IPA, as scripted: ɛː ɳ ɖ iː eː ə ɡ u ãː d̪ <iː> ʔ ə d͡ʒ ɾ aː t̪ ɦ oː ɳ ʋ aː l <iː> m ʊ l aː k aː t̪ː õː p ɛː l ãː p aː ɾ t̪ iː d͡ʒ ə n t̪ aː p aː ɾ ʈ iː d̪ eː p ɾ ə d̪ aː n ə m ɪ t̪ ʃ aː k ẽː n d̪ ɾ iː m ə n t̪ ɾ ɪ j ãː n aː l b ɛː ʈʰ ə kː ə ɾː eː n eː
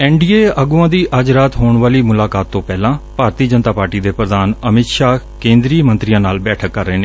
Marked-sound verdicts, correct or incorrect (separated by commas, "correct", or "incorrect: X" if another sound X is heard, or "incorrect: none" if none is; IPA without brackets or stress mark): correct, correct